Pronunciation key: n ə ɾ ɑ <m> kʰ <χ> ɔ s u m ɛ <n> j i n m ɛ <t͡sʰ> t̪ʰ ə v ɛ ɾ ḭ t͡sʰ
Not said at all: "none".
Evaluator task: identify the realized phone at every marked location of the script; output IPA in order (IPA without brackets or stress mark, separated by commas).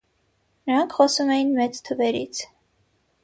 ŋ, χ, none, t͡s